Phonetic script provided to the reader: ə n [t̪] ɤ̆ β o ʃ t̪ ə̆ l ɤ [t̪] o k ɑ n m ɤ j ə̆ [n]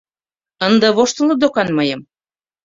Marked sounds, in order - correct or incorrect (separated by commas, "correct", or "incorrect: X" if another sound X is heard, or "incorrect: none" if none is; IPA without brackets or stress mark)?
incorrect: d̪, incorrect: d̪, incorrect: m